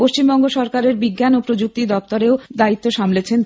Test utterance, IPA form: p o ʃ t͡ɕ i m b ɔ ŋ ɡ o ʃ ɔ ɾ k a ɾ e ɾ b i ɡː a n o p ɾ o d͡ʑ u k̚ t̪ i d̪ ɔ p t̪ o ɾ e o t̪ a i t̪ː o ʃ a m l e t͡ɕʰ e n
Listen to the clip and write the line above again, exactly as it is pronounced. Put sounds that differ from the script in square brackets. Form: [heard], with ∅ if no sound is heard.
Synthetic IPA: p o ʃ t͡ɕ i m b ɔ ŋ ɡ o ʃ ɔ ɾ k a ɾ e ɾ b i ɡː a n o p ɾ o d͡ʑ u k̚ t̪ i d̪ ɔ p t̪ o ɾ e o [d̪] a i t̪ː o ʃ a m l e t͡ɕʰ e n

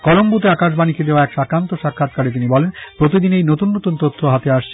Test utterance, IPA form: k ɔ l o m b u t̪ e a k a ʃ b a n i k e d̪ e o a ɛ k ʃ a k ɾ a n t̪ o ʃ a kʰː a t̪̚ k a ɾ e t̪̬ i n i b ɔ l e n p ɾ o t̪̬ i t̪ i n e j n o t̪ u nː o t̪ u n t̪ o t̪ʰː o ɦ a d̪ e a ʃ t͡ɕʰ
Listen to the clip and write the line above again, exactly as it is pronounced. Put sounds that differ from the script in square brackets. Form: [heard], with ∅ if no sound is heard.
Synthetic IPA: k ɔ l o m b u t̪ e a k a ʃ b a n i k e d̪ e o a ɛ k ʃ a k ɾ a n t̪ o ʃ a kʰː a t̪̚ k a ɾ e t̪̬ i n i b ɔ l e n p ɾ o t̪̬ i [d̪] i n e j n o t̪ u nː o t̪ u n t̪ o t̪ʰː o ɦ a [t̪] e a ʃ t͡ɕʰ

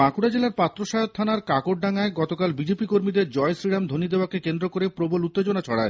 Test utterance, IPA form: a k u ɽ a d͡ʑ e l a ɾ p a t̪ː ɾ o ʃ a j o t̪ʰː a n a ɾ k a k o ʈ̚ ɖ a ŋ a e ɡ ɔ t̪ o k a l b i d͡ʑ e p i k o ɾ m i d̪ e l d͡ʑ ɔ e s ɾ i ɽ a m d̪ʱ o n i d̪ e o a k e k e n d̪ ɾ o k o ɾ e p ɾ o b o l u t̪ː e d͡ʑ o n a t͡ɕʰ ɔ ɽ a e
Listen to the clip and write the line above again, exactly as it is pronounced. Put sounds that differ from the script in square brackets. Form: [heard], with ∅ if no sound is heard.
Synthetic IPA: a k u ɽ a d͡ʑ e l a ɾ p a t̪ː ɾ o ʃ a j o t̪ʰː a n a ɾ k a k o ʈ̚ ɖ a ŋ a e ɡ ɔ t̪ o k a l b i d͡ʑ e p i k o ɾ m i d̪ e [ɾ] d͡ʑ ɔ e s ɾ i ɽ a m d̪ʱ o n i d̪ e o a k e k e n d̪ ɾ o k o ɾ e p ɾ o b o l u t̪ː e d͡ʑ o n a t͡ɕʰ ɔ ɽ a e

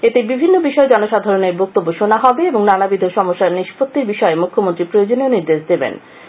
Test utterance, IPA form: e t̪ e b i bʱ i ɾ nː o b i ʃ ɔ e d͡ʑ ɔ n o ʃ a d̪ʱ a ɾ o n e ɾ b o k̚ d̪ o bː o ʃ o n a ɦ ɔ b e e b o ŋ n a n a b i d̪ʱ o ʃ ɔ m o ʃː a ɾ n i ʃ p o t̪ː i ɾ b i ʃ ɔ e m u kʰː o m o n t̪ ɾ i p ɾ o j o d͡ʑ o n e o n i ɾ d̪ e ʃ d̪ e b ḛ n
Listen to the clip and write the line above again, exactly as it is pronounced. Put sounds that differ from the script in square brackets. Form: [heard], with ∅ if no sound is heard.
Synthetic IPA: e t̪ e b i bʱ i [∅] nː o b i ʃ ɔ e d͡ʑ ɔ n o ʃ a d̪ʱ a ɾ o n e ɾ b o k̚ [t̪] o bː o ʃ o n a ɦ ɔ b e e b o ŋ n a n a b i d̪ʱ o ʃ ɔ m o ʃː a ɾ n i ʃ p o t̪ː i ɾ b i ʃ ɔ e m u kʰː o m o n t̪ ɾ i p ɾ o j o d͡ʑ o n e o n i ɾ d̪ e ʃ d̪ e b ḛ n

